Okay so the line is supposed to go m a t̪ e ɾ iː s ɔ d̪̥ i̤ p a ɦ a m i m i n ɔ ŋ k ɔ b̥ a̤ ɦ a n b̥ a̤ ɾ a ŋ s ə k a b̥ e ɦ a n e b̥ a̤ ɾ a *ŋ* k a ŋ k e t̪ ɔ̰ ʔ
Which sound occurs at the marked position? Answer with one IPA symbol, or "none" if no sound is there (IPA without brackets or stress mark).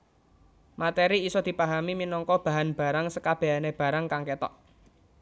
ŋ